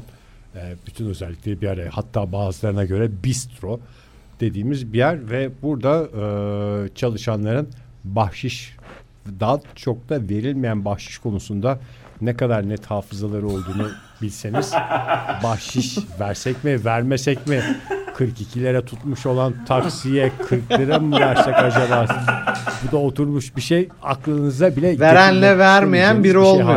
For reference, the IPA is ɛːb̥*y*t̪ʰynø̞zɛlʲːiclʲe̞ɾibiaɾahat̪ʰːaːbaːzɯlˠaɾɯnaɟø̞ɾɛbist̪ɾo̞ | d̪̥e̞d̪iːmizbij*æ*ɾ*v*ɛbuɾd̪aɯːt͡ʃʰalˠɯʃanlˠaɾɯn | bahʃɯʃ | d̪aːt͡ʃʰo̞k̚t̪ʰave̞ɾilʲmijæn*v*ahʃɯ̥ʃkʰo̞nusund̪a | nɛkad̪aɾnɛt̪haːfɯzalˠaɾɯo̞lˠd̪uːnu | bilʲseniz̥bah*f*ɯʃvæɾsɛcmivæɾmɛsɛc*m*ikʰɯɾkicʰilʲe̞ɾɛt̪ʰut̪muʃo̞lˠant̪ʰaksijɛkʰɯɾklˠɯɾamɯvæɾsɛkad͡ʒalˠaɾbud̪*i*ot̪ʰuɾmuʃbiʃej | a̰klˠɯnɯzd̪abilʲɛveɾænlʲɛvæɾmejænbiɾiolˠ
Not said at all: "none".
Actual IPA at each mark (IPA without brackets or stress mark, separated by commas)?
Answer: y, æ, v, b, ʃ, m, a